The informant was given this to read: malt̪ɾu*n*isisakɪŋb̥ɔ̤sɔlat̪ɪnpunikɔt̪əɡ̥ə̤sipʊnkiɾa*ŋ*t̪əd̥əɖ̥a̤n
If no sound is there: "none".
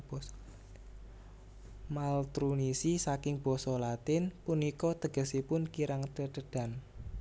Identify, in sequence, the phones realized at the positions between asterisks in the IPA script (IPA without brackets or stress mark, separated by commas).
n, ŋ